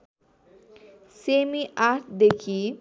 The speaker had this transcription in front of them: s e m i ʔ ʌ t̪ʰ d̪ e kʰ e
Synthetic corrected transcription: s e m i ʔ a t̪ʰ d̪ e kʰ i